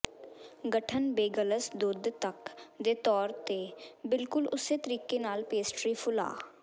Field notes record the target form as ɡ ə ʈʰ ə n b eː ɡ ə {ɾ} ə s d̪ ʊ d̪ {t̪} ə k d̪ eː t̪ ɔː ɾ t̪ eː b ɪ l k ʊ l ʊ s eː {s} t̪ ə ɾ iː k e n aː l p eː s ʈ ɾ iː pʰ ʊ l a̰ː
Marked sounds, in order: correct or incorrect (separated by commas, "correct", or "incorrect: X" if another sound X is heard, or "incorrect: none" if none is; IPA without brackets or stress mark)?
incorrect: l, correct, incorrect: none